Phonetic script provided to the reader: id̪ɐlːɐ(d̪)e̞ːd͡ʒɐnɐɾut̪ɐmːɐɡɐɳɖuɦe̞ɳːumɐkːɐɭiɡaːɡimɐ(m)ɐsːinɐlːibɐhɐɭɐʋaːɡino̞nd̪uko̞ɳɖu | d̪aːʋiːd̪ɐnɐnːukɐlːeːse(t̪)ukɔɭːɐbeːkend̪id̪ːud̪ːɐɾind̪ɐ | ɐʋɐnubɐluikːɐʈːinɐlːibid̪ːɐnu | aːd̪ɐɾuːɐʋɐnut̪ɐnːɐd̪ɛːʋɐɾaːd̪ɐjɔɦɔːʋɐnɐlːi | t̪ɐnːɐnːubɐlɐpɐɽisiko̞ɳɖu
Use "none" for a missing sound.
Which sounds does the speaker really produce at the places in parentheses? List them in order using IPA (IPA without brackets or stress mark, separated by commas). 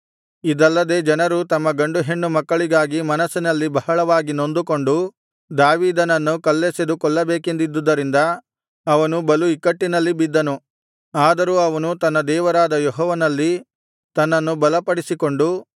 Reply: d̪, n, d̪